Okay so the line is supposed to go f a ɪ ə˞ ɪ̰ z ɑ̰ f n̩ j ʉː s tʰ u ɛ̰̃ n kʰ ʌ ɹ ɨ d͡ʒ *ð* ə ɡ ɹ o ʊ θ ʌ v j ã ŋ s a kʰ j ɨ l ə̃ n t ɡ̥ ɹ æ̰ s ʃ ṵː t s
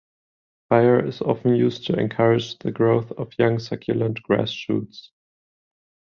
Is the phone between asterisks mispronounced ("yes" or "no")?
no